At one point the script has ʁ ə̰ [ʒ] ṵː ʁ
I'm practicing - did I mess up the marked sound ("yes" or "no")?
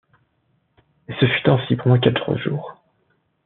no